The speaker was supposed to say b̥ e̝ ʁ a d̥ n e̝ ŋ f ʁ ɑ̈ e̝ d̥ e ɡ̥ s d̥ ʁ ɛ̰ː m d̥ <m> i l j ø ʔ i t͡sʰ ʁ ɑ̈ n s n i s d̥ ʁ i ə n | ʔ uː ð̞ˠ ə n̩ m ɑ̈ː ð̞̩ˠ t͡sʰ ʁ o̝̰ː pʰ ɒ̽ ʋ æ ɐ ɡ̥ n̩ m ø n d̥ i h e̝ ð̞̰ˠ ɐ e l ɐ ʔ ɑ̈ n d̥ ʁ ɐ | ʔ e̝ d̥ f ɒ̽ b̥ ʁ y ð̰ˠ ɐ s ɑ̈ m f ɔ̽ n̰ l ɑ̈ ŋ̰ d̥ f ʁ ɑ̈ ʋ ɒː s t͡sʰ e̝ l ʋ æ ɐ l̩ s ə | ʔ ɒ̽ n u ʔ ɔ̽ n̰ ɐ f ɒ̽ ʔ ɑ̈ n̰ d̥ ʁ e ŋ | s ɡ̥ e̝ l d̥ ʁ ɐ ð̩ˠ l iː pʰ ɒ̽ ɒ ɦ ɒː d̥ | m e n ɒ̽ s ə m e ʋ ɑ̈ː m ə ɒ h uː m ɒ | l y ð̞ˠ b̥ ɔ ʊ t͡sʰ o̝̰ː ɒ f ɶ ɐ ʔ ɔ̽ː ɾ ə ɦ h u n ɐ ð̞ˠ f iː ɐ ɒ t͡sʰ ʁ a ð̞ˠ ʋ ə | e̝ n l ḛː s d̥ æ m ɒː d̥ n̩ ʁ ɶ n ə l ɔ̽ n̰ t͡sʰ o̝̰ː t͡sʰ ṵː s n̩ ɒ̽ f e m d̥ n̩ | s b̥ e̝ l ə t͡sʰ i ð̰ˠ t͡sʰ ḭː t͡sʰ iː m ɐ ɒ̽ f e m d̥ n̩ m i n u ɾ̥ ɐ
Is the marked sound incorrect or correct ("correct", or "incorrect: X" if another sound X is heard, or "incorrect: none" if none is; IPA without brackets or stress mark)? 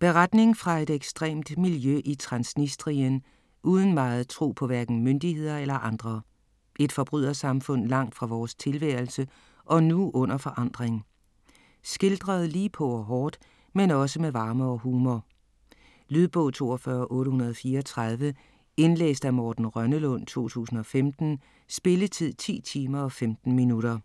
correct